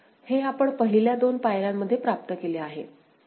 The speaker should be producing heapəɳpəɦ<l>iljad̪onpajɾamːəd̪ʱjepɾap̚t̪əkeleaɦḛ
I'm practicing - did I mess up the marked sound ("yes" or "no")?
no